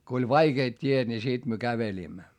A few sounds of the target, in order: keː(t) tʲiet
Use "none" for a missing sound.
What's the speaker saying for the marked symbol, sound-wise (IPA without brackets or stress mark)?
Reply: t